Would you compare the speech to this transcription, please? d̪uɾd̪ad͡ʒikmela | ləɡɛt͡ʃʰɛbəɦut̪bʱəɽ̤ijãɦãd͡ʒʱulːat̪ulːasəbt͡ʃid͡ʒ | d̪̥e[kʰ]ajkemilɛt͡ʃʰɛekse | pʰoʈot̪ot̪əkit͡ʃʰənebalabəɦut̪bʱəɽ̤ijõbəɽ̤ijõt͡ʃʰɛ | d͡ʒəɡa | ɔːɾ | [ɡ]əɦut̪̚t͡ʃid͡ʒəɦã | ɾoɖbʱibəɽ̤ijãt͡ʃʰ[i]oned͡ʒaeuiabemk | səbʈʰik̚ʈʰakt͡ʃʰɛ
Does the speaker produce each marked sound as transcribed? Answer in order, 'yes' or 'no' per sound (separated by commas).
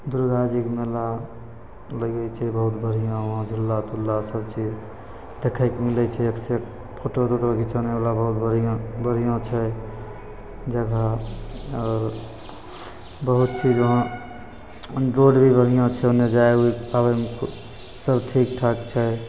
yes, no, no